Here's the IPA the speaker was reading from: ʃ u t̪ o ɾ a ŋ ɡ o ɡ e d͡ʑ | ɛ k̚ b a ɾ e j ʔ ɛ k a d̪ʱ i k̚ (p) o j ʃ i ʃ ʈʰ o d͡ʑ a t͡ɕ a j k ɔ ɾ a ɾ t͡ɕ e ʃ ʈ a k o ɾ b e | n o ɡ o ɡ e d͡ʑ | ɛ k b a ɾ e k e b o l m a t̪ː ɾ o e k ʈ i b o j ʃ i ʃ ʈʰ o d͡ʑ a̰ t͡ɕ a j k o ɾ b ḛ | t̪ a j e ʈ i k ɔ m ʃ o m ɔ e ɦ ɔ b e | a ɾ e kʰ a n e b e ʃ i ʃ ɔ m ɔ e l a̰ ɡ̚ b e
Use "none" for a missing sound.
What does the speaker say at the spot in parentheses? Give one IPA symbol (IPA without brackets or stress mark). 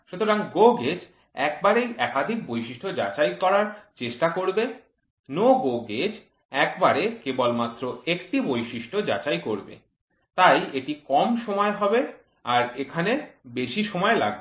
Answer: b